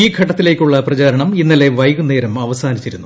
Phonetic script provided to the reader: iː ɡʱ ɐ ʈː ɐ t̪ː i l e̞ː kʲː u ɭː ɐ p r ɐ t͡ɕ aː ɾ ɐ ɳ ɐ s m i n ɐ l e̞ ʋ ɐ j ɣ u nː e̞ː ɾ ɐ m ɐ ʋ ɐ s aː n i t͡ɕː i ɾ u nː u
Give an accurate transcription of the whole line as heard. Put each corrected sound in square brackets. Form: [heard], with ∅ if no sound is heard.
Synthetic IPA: iː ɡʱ ɐ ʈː ɐ t̪ː i l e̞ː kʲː u ɭː ɐ p r ɐ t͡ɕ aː ɾ ɐ ɳ ɐ [∅] m i [nː] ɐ l e̞ ʋ ɐ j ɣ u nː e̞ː ɾ ɐ m ɐ ʋ ɐ s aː n i t͡ɕː i ɾ u nː u